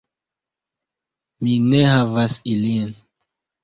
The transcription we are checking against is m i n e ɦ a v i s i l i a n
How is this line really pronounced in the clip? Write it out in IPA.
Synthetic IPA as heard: m i n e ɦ a v a s i l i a n